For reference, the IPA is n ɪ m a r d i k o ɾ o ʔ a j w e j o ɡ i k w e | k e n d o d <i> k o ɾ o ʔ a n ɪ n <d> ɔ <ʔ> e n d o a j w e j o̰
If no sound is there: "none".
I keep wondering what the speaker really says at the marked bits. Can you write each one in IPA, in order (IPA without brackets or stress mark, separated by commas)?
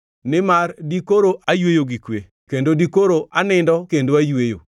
i, d, k